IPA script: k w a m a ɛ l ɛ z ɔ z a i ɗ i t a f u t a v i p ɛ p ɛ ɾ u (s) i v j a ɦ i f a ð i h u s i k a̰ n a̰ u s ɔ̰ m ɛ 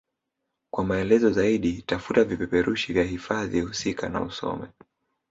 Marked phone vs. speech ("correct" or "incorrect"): incorrect